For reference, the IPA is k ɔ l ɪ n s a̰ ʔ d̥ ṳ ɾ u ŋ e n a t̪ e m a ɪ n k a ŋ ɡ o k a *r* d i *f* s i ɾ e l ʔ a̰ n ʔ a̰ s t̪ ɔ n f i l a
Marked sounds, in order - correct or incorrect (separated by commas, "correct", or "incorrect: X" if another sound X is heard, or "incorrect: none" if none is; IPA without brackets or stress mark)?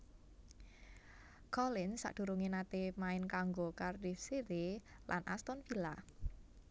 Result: correct, correct